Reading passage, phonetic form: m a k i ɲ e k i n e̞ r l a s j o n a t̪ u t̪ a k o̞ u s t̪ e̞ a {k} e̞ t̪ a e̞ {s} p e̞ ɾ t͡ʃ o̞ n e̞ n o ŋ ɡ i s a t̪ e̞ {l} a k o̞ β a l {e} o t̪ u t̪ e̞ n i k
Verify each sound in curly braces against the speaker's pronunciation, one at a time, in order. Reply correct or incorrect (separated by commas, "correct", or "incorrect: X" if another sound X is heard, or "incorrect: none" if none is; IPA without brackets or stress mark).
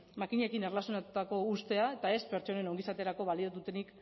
incorrect: none, correct, incorrect: ɾ, incorrect: i